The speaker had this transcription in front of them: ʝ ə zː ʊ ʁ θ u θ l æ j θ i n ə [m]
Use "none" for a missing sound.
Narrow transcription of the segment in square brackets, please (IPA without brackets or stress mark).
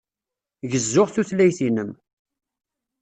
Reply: m